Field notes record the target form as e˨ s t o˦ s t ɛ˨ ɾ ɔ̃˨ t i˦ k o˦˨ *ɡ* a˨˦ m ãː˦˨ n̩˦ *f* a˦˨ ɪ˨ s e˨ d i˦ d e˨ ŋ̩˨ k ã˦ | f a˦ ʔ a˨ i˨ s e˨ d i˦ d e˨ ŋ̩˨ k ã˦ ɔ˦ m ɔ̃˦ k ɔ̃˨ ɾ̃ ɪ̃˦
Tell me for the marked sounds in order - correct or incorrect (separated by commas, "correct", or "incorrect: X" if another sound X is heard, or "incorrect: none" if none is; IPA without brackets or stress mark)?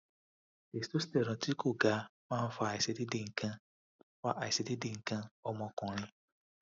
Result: correct, correct